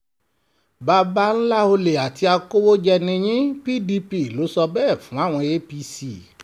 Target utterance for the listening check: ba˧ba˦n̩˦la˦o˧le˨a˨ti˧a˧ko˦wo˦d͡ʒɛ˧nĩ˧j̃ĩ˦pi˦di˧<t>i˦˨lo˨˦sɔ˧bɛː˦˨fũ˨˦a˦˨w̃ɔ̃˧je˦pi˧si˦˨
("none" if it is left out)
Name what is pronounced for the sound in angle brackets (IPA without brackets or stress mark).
p